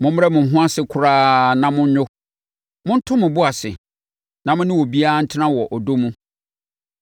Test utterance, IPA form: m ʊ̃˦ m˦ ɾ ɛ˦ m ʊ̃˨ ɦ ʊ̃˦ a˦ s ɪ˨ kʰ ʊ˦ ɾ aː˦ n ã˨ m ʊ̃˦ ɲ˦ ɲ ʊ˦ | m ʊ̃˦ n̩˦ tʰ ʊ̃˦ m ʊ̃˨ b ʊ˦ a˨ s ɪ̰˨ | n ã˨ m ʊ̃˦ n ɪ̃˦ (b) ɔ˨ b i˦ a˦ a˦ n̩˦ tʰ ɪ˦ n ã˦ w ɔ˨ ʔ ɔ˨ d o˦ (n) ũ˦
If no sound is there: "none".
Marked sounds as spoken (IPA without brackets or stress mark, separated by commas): w, m